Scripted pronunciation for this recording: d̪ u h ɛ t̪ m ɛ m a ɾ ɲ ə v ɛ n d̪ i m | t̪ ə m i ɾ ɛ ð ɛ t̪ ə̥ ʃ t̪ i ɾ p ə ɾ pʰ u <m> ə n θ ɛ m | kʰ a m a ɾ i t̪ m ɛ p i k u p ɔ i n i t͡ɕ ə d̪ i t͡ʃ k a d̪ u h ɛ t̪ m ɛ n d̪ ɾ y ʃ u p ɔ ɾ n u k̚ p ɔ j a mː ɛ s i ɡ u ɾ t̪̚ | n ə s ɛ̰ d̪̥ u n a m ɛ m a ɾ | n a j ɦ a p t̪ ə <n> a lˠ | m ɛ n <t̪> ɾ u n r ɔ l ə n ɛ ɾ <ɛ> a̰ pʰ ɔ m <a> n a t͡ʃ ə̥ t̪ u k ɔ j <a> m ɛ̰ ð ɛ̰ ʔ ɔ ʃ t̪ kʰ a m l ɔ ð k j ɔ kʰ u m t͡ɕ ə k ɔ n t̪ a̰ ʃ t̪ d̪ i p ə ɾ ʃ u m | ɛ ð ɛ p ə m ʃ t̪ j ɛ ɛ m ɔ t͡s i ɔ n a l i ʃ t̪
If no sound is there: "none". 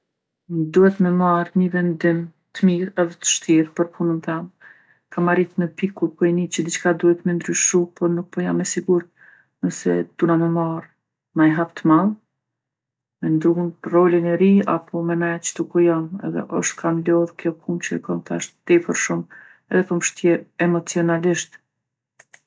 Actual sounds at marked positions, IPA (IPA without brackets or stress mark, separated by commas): n, m, d̪, i, ɛ, a